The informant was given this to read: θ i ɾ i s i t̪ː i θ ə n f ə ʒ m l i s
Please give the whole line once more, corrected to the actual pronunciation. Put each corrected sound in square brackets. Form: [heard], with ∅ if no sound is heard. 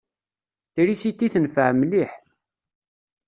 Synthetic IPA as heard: θ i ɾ i s i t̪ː i θ ə n f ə [ʕ] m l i [ħ]